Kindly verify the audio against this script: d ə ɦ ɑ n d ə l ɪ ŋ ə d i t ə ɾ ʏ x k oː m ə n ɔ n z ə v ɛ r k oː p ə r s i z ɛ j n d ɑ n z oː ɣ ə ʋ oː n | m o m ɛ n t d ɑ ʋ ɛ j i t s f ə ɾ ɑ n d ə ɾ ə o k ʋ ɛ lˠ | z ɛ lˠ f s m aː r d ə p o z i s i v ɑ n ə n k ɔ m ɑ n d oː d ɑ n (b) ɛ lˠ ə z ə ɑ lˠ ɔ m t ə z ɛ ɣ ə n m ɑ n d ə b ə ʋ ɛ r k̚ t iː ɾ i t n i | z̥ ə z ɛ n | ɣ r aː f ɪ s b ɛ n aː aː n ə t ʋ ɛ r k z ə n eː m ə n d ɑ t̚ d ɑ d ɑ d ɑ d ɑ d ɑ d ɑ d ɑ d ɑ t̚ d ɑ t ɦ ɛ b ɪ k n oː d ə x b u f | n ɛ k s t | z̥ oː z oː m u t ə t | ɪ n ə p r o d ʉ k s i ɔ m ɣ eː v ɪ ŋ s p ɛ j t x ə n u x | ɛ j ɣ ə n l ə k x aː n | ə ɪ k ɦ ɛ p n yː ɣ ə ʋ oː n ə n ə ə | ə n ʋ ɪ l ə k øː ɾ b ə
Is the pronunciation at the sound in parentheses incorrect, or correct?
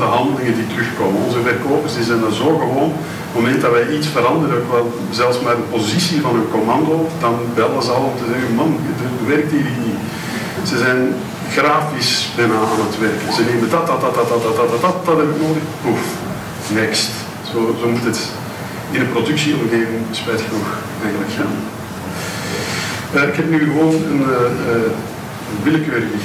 correct